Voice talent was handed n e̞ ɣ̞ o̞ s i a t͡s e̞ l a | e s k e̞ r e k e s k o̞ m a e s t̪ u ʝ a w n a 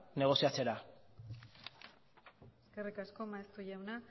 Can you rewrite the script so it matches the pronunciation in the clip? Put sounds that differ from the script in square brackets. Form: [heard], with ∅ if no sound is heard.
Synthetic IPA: n e̞ ɣ̞ o̞ s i a t͡s e̞ [ɾ] a | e s k e̞ r [i] k [a] s k o̞ m a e s t̪ u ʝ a w n a